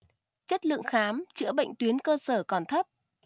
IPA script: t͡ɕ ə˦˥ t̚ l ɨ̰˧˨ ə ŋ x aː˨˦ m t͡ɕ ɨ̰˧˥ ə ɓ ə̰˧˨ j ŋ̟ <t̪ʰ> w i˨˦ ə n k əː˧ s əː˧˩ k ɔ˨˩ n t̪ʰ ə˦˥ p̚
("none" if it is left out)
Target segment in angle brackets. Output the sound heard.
t̪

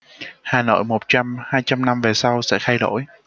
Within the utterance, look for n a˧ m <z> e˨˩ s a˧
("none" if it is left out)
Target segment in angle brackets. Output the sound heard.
v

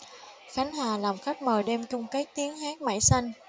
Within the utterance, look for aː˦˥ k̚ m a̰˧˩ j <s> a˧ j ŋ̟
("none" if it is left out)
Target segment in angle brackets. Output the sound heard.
s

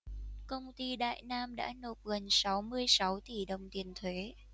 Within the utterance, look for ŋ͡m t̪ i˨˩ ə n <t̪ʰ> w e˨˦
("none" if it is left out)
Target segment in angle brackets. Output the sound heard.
t̪ʰ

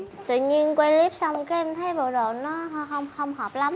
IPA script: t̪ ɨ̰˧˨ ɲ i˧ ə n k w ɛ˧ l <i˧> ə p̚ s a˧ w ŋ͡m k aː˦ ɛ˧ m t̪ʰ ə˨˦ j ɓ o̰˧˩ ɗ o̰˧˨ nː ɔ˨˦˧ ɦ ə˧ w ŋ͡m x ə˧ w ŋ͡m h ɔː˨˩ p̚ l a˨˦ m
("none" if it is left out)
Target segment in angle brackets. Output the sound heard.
i˦˥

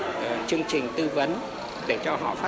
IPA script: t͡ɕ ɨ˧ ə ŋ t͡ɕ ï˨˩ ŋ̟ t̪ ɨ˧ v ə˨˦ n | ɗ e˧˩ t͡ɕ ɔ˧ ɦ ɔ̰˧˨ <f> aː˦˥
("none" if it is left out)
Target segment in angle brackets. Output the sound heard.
f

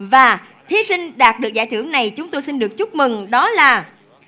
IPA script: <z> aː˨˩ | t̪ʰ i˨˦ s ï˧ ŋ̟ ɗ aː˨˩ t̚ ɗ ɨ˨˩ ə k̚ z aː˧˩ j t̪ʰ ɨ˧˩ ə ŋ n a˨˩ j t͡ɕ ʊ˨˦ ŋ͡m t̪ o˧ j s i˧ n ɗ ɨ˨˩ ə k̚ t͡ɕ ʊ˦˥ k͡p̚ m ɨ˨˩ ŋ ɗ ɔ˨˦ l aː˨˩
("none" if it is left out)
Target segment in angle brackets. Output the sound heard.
v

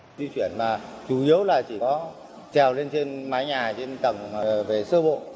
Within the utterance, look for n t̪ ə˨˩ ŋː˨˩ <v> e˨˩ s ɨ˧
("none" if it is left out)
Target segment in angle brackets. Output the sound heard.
v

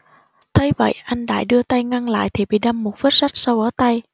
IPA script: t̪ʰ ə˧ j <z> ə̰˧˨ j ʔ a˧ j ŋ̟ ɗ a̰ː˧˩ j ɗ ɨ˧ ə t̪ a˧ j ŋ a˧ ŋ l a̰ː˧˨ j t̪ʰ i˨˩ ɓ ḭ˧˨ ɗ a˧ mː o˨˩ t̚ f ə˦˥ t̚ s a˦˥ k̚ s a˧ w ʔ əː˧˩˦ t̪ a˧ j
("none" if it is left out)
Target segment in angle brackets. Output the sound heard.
v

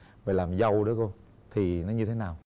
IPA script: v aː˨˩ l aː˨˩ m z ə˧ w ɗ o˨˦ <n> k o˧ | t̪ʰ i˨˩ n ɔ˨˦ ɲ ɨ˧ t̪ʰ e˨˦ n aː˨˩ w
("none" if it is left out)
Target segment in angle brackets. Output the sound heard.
none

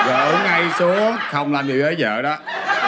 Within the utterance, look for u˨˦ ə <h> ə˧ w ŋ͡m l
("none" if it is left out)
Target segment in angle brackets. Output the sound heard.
x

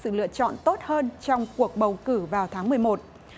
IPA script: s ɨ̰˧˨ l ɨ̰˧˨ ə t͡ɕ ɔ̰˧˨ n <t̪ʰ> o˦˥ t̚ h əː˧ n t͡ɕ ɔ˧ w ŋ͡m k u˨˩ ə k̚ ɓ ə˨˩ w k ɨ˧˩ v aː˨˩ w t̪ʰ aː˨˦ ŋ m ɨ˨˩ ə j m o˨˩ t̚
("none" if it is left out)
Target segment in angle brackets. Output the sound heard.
t̪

